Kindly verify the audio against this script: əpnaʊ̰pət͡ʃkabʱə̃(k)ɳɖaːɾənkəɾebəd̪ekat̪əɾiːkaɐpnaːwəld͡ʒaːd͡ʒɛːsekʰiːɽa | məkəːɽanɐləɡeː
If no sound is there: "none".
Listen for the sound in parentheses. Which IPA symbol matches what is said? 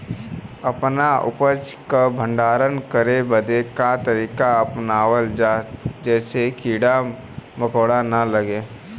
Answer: none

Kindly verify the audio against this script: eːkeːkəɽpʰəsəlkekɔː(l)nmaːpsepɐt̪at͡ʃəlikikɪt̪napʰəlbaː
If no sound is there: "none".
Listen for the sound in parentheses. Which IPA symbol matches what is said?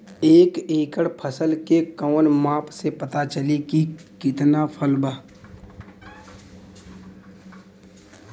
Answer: none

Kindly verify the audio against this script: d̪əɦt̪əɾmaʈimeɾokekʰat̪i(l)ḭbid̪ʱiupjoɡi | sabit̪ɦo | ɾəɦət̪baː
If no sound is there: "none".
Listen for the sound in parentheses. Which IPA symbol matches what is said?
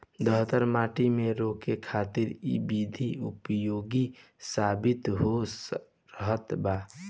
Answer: ɾ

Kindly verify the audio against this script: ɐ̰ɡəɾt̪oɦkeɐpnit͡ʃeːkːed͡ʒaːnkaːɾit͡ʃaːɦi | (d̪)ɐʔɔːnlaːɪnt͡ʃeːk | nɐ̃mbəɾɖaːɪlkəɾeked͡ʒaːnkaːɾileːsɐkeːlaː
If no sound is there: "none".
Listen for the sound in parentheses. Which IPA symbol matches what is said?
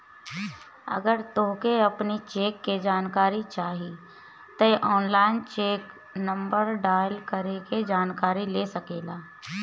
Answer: t̪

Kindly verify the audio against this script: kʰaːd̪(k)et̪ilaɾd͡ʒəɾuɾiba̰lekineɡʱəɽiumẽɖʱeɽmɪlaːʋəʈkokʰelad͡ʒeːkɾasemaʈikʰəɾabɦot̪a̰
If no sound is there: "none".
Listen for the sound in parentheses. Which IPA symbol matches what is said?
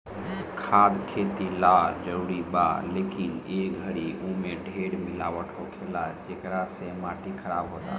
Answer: kʰ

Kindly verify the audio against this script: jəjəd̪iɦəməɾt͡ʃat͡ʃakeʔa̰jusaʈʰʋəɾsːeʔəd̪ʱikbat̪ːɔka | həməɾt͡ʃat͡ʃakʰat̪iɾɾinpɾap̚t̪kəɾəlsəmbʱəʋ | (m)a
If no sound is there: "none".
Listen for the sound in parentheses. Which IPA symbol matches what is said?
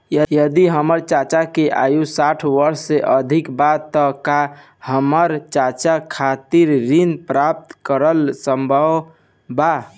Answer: b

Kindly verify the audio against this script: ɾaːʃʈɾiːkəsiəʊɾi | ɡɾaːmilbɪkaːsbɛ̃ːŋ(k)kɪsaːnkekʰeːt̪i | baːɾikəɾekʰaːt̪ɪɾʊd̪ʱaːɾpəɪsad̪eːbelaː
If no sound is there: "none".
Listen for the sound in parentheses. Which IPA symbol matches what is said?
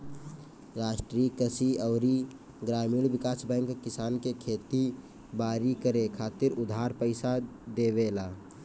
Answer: k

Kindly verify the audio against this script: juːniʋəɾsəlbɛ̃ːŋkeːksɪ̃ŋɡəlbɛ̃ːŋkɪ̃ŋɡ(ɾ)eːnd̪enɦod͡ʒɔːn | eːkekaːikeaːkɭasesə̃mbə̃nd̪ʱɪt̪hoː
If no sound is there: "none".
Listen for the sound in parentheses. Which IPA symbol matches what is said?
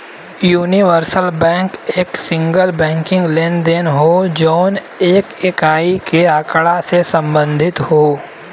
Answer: l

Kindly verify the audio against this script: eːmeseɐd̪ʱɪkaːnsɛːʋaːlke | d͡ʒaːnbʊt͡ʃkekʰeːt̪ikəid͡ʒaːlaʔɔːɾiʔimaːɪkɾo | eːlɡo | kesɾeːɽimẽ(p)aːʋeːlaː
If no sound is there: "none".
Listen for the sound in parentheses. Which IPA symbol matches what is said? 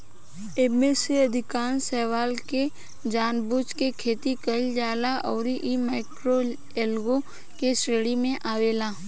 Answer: ʔ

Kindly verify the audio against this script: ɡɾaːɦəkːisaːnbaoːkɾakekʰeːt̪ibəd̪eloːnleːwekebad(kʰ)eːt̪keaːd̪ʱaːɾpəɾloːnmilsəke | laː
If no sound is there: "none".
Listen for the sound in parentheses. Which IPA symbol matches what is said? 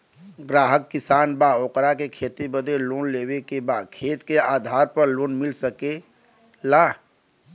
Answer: kʰ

